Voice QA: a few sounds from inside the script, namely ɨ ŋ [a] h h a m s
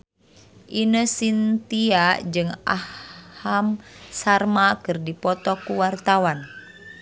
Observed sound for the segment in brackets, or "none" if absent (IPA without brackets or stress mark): a